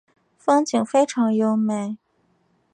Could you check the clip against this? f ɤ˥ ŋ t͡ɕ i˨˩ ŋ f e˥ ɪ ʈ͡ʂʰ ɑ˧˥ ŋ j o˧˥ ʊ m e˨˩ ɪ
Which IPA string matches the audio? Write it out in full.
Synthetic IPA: f ɤ˥ ŋ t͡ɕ i˨˩ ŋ f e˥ ɪ ʈ͡ʂʰ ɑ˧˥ ŋ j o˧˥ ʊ m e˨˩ ɪ

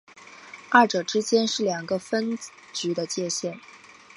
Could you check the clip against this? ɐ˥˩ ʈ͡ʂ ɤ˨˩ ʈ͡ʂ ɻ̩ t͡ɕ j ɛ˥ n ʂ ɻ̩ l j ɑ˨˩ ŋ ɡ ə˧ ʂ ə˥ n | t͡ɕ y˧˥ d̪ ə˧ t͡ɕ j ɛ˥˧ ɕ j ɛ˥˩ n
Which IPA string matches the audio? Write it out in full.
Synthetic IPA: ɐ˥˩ ʈ͡ʂ ɤ˨˩ ʈ͡ʂ ɻ̩ t͡ɕ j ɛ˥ n ʂ ɻ̩ l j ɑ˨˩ ŋ ɡ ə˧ f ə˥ n | t͡ɕ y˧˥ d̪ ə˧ t͡ɕ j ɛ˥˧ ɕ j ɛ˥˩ n

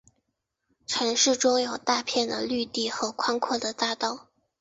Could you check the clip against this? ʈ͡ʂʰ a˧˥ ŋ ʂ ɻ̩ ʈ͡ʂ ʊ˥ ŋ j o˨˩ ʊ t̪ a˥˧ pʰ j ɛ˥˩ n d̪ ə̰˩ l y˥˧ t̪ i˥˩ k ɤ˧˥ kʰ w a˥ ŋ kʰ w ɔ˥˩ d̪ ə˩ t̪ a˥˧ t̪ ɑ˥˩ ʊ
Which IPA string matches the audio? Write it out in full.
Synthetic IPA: ʈ͡ʂʰ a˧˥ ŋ ʂ ɻ̩ ʈ͡ʂ ʊ˥ ŋ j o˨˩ ʊ t̪ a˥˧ pʰ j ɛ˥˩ n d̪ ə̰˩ l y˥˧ t̪ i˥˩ x ɤ˧˥ kʰ w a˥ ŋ kʰ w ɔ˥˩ d̪ ə˩ t̪ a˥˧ t̪ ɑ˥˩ ʊ

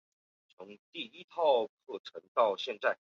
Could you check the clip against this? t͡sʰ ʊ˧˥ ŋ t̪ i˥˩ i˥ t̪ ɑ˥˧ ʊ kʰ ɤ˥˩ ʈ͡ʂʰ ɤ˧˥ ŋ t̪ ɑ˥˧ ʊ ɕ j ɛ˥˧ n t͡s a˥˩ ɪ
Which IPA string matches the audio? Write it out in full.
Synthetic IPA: t͡sʰ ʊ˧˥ ŋ t̪ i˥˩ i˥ t̪ʰ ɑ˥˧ ʊ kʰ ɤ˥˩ ʈ͡ʂʰ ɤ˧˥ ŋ t̪ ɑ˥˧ ʊ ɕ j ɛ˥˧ n t͡s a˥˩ ɪ

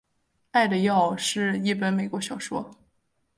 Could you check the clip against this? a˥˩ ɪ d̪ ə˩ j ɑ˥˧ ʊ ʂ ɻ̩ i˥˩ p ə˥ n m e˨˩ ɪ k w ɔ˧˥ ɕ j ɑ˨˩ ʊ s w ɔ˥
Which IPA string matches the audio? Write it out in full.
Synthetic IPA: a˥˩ ɪ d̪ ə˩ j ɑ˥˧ ʊ ʂ ɻ̩ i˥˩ p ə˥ n m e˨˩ ɪ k w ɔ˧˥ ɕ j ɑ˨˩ ʊ ʂ w ɔ˥

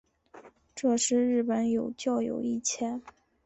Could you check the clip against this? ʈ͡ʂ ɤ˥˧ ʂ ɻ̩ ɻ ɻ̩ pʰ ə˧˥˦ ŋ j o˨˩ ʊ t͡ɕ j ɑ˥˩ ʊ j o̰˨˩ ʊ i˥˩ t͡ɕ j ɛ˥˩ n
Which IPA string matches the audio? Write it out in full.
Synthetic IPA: ʈ͡ʂ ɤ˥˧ ʂ ɻ̩ ɻ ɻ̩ p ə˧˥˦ n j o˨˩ ʊ t͡ɕ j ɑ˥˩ ʊ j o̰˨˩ ʊ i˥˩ t͡ɕʰ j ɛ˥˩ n

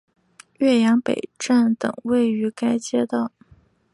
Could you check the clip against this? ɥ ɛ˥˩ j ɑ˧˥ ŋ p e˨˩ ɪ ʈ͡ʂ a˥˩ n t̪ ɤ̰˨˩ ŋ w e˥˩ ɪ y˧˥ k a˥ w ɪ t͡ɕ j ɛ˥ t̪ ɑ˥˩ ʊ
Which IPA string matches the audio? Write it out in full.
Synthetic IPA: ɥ ɛ˥˩ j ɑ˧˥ ŋ p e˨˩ ɪ ʈ͡ʂ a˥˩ n t̪ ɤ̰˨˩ ŋ w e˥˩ ɪ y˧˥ k a˥ ɪ t͡ɕ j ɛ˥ t̪ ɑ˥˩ ʊ

